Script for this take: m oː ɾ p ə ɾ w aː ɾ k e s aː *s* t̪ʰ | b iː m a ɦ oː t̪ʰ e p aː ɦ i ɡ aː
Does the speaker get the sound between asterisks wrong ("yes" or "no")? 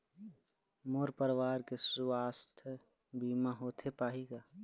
no